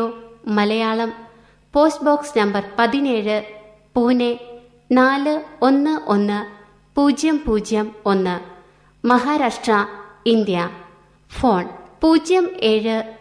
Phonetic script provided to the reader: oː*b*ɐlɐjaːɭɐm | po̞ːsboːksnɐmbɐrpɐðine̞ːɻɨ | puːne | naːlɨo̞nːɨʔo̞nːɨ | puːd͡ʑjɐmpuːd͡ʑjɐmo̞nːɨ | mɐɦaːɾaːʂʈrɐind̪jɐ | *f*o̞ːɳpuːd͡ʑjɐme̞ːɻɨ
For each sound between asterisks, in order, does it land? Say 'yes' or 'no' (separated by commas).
no, yes